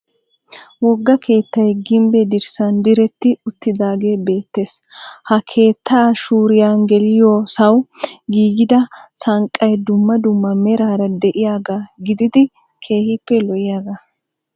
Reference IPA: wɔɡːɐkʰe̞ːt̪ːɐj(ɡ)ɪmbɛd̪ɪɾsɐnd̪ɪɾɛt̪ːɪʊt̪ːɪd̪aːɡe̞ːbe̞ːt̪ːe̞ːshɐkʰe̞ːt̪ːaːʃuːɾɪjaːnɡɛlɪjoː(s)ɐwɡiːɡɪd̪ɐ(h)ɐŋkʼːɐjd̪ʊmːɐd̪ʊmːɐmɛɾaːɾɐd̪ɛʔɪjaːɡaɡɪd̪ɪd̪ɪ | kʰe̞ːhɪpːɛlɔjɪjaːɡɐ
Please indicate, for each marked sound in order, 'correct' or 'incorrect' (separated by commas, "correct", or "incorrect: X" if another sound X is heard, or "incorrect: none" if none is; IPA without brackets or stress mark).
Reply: correct, correct, incorrect: s